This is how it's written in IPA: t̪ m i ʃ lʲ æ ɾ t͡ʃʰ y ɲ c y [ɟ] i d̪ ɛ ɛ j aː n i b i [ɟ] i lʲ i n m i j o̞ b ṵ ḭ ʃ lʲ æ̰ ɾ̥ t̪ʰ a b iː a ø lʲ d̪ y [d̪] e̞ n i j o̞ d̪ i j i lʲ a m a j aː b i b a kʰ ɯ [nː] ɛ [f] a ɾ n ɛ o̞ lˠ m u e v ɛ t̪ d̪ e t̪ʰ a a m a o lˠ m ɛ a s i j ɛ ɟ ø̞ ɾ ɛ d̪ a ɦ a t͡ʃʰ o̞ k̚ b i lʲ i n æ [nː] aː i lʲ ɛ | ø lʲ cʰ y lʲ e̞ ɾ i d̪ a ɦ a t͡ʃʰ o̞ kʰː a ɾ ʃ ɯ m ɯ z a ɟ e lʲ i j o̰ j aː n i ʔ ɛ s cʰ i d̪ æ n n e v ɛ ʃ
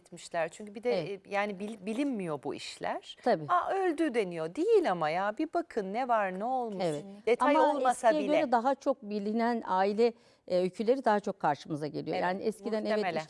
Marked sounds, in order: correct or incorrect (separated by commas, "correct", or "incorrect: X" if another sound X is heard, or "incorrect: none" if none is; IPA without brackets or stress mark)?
incorrect: b, incorrect: b, correct, correct, incorrect: v, incorrect: n